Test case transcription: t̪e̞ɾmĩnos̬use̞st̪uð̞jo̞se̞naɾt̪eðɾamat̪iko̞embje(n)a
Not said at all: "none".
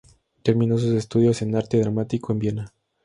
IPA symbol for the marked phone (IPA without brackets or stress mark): n